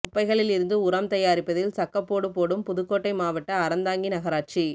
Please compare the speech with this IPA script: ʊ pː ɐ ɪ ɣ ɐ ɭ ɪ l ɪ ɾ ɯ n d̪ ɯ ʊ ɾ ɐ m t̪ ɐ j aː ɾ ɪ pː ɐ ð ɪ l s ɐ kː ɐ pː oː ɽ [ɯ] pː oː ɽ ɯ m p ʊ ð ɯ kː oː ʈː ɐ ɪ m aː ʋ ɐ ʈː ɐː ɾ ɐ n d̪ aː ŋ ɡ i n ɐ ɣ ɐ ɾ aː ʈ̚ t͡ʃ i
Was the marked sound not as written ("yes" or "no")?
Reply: no